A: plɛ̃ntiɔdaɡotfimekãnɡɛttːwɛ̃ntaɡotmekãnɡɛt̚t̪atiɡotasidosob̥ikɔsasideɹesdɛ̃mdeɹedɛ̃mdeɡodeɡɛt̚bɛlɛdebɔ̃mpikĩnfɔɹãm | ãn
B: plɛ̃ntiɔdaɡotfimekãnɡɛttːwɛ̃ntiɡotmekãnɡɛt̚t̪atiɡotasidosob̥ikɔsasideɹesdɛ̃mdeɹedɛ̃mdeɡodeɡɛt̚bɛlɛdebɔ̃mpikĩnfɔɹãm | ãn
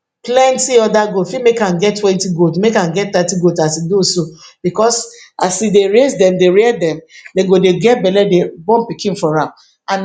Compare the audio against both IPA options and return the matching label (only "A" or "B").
B